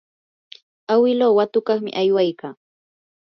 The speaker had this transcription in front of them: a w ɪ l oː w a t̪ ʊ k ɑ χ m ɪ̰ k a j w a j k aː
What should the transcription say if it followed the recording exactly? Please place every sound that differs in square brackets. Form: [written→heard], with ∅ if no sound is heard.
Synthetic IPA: a w ɪ l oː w a t̪ ʊ k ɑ χ m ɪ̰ [k→ʔ] a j w a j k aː

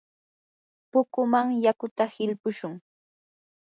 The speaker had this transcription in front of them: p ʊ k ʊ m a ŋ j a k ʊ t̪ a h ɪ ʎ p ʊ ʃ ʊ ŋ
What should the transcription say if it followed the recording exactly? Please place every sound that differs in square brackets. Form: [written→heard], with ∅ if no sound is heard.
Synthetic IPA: p ʊ k ʊ m a ŋ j a k ʊ t̪ a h ɪ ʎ p ʊ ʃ ʊ ŋ

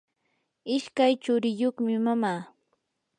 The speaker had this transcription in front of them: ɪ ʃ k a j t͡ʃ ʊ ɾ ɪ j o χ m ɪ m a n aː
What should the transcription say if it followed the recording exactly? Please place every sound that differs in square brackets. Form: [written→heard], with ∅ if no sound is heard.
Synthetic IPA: ɪ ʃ k a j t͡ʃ ʊ ɾ ɪ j o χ m ɪ m a [n→m] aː

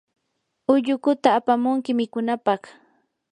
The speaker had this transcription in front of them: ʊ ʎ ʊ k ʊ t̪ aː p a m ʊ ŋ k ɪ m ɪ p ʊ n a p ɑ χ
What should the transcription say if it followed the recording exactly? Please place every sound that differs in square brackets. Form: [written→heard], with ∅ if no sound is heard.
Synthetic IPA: ʊ ʎ ʊ k ʊ t̪ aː p a m ʊ ŋ k ɪ m ɪ [p→k] ʊ n a p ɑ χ

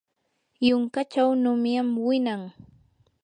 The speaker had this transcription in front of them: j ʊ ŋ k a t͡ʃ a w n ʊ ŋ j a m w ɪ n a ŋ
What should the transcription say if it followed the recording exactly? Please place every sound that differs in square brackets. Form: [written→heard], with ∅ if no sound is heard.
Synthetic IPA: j ʊ ŋ k a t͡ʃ a w n ʊ [ŋ→m] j a m w ɪ n a ŋ

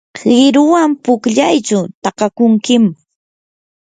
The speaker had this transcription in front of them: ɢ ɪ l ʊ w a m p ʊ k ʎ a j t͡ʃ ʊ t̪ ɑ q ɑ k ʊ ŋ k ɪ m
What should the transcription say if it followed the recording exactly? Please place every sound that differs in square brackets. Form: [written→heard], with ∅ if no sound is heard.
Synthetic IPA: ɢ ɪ [l→ɾ] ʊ w a m p ʊ k ʎ a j t͡ʃ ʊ t̪ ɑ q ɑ k ʊ ŋ k ɪ m

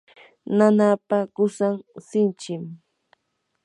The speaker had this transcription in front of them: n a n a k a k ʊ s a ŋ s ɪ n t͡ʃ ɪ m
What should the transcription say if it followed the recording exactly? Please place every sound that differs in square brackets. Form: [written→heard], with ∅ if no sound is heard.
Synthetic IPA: n a n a [k→p] a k ʊ s a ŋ s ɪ n t͡ʃ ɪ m

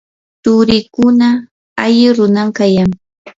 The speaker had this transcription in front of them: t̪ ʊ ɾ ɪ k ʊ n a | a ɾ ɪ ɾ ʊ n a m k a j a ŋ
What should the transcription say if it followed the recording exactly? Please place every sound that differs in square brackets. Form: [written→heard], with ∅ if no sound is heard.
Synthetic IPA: t̪ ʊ ɾ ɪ k ʊ n a | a [ɾ→ʎ] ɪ ɾ ʊ n a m k a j a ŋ

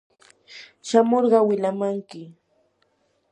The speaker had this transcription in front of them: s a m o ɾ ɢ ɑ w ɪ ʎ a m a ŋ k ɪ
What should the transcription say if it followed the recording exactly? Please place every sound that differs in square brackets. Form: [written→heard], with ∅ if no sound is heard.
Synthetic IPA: [s→ʃ] a m o ɾ ɢ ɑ w ɪ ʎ a m a ŋ k ɪ

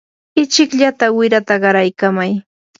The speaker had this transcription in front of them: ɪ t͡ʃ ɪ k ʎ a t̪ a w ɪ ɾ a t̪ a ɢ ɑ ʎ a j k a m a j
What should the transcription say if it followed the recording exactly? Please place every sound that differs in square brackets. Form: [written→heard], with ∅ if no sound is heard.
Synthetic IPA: ɪ t͡ʃ ɪ k ʎ a t̪ a w ɪ ɾ a t̪ a ɢ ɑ [ʎ→ɾ] a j k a m a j

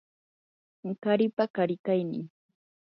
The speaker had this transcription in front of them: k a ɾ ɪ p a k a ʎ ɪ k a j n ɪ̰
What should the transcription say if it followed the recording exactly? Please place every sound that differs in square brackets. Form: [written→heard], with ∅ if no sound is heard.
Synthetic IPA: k a ɾ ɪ p a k a [ʎ→ɾ] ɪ k a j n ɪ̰

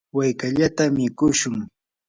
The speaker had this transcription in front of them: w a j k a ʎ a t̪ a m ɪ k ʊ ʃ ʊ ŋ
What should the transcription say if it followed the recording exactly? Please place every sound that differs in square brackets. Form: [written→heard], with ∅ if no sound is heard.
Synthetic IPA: w a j k a ʎ a t̪ a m ɪ k ʊ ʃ ʊ ŋ

